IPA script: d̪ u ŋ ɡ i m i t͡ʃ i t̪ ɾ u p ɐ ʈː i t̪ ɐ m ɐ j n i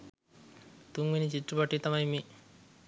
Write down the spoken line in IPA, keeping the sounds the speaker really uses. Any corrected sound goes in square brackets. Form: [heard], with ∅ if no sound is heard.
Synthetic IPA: [t̪] u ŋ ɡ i [n] i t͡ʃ i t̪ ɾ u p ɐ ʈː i t̪ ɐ m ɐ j [m] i